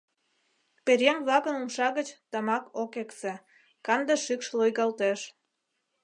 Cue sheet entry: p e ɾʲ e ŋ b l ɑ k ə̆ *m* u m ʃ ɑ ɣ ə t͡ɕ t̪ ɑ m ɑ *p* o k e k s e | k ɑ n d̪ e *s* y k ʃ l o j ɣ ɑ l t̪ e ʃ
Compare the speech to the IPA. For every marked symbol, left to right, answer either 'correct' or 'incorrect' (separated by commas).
incorrect, incorrect, incorrect